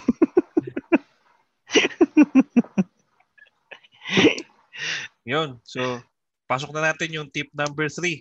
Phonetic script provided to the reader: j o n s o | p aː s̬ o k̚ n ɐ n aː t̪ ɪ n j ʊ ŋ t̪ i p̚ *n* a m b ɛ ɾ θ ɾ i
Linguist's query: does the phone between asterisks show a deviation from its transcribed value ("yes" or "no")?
no